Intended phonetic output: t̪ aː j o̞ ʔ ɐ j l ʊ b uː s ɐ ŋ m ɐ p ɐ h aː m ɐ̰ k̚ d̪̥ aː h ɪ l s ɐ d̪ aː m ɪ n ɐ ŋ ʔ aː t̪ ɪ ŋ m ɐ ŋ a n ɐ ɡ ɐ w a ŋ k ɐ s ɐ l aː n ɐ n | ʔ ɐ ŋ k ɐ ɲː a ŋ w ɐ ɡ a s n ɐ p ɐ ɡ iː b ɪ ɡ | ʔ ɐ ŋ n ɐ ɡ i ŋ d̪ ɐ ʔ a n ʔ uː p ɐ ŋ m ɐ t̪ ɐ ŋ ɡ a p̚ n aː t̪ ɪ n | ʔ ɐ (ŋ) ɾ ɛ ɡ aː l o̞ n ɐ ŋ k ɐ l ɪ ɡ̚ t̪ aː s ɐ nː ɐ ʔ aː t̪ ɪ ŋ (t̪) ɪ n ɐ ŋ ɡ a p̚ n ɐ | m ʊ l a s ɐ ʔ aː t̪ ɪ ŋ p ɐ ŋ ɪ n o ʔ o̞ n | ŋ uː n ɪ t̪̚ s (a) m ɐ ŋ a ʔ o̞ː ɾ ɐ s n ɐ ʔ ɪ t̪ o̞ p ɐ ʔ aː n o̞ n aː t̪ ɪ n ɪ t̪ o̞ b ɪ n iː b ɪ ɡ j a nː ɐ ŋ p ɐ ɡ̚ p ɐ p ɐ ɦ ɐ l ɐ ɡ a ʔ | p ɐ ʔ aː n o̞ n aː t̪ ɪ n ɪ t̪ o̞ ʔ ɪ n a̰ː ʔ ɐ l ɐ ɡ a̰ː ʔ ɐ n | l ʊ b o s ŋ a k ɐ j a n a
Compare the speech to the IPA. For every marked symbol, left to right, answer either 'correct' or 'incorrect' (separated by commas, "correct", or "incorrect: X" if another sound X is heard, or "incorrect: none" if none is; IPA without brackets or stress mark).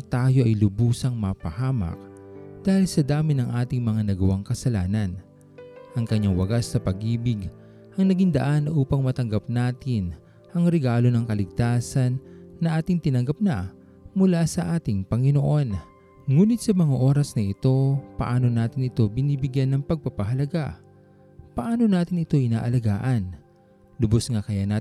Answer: correct, correct, incorrect: ɐ